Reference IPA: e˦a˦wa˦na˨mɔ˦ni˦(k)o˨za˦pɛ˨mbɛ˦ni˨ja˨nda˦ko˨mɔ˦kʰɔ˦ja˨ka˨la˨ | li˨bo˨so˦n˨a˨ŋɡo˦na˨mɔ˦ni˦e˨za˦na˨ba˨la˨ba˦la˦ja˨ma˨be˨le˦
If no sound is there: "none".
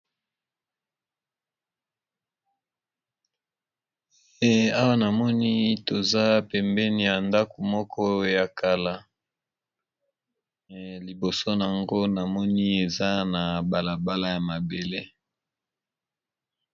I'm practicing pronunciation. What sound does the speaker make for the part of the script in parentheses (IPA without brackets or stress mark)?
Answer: t